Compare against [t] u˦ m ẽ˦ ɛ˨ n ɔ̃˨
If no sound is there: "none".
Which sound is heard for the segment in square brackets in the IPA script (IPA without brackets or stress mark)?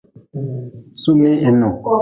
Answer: s